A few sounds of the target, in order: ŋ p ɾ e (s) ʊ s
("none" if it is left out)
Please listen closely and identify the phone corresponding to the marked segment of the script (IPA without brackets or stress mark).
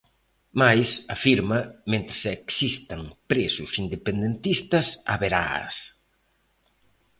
s